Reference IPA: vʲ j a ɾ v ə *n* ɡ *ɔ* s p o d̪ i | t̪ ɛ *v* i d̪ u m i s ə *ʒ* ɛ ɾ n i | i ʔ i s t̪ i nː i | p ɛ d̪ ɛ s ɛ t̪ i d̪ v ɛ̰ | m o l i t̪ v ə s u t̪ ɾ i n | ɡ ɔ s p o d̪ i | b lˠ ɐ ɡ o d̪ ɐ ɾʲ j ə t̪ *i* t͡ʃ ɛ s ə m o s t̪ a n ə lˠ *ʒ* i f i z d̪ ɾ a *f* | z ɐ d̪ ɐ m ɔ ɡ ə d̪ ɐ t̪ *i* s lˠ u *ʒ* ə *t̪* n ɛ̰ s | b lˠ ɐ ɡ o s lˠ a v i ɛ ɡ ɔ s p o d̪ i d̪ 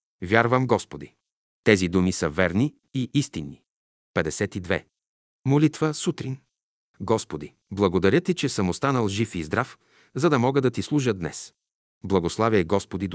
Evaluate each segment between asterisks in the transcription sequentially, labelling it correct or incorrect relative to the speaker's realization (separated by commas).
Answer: incorrect, correct, incorrect, incorrect, correct, correct, correct, correct, correct, incorrect